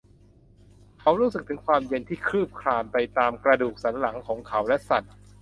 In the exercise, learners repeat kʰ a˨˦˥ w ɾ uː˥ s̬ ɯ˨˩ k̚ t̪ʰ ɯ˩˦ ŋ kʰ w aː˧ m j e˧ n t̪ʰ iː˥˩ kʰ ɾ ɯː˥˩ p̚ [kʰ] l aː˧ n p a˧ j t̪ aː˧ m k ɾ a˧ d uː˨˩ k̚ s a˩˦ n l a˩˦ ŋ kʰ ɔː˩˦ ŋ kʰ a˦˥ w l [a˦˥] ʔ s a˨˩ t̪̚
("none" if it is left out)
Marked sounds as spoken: kʰ, ɛ˦˥

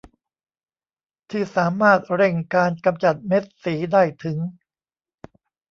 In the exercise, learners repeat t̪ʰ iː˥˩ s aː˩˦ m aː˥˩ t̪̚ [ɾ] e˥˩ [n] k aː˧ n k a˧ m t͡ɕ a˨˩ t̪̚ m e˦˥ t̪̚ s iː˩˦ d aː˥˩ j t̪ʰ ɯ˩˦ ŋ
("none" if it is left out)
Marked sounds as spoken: ɾ, ŋ

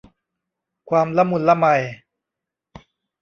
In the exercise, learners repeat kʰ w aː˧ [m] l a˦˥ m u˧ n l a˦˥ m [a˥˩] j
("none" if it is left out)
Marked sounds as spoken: m, a˧

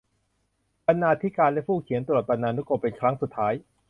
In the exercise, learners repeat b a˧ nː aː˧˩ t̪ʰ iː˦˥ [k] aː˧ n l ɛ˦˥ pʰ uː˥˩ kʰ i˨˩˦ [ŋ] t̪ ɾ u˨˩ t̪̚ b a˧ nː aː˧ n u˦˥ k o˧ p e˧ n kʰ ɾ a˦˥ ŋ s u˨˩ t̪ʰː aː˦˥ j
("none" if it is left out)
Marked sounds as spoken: k, n

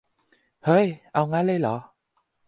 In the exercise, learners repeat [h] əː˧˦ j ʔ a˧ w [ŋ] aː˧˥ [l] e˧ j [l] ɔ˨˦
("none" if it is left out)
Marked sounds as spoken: h, ŋ, l, l

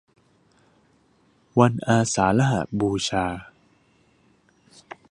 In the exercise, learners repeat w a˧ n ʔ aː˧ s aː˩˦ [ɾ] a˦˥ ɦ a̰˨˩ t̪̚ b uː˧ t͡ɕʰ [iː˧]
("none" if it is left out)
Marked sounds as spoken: l, aː˧

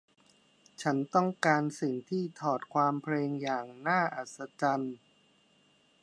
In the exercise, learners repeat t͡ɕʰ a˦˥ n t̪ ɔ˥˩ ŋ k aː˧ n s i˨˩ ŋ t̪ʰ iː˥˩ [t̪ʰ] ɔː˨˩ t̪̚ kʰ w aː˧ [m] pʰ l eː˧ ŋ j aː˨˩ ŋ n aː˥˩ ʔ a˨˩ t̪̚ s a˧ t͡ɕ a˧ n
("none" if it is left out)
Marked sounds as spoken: t̪ʰ, m

